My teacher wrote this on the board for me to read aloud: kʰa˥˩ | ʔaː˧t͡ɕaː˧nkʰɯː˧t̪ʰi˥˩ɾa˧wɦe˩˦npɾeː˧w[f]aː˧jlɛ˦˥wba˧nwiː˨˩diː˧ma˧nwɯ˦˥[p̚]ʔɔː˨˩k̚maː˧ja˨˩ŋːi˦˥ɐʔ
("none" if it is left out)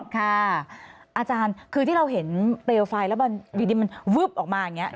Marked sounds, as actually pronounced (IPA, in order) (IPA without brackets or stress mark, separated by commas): f, p̚